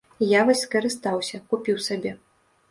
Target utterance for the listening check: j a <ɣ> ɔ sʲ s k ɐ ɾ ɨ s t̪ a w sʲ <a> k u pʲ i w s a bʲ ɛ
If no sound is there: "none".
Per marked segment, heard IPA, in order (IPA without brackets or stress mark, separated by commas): v, ɐ